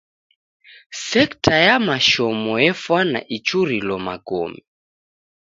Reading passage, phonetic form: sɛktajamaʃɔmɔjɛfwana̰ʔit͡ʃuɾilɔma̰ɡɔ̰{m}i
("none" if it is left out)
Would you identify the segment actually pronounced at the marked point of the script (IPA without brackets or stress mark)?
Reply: m